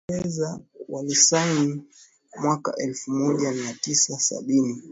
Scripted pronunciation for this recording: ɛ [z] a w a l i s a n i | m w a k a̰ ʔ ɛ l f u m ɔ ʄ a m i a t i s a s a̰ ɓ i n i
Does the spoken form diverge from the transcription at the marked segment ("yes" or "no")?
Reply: no